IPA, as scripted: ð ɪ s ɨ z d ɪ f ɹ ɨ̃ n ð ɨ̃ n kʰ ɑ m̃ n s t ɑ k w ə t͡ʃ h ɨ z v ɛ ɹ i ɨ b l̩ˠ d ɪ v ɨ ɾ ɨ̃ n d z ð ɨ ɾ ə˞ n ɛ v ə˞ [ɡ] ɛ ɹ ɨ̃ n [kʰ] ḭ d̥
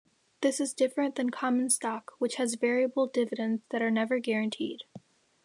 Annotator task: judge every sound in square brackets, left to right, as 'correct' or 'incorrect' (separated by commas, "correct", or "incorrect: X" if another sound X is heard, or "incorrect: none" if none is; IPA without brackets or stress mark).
correct, incorrect: tʰ